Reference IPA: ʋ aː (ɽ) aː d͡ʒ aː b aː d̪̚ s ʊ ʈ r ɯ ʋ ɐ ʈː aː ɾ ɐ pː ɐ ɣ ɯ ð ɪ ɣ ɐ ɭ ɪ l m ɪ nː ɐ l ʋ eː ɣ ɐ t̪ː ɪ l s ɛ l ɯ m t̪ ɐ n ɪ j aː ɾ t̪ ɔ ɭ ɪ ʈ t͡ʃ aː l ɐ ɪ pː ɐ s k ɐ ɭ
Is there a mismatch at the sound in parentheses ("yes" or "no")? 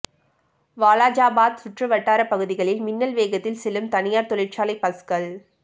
yes